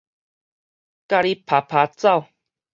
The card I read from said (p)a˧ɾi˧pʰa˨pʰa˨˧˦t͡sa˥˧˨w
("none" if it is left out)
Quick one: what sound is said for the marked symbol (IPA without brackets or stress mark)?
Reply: k